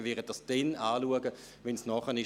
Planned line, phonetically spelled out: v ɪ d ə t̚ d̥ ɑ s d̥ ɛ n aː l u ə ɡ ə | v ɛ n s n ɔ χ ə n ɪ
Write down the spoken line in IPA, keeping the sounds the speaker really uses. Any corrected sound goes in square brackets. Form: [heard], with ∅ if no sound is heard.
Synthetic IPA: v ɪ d ə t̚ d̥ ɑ s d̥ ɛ n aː l u ə ɡ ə | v ɛ n s n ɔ χ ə n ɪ